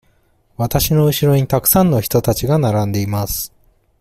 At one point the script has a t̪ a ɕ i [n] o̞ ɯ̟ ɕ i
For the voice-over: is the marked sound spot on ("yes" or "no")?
yes